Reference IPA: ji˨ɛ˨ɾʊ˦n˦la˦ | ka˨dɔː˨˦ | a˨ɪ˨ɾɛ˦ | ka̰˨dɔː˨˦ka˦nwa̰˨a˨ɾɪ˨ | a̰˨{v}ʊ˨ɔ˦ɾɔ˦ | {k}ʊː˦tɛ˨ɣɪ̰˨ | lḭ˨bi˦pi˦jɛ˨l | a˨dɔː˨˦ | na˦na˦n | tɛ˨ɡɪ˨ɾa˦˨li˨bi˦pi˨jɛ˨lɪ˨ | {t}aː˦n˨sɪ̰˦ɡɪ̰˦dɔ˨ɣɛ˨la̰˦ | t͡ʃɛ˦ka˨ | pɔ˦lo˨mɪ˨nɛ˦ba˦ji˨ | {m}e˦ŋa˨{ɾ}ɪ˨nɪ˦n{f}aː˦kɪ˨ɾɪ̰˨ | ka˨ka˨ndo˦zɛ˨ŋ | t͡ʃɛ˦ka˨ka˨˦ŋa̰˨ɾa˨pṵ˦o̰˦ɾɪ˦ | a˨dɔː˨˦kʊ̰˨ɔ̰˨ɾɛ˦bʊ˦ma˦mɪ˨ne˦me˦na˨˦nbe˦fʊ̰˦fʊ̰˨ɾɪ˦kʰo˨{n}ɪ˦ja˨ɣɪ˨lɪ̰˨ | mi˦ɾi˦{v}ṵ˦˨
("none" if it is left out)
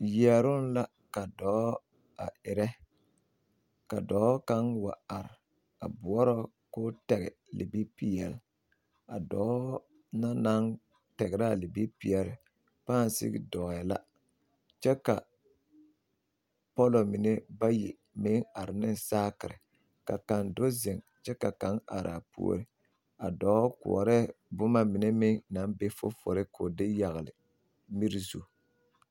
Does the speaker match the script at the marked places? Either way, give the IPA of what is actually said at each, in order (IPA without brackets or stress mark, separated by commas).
b, k, p, m, ɾ, s, d, z